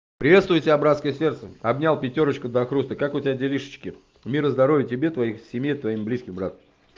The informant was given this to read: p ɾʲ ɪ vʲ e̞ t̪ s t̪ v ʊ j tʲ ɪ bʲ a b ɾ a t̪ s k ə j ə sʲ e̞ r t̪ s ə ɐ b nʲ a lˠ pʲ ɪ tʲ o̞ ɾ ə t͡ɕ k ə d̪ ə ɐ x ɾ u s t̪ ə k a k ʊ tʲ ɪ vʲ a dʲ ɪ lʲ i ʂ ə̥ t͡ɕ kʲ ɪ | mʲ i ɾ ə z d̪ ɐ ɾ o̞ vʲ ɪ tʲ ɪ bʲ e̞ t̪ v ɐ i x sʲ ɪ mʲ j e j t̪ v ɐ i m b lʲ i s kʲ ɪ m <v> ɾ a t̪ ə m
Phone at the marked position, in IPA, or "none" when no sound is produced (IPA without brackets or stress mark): b